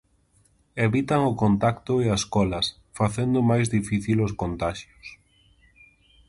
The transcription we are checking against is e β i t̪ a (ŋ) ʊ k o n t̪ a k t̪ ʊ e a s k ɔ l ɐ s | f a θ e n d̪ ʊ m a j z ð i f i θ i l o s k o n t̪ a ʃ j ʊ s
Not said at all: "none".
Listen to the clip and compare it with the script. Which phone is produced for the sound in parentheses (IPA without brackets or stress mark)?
ŋ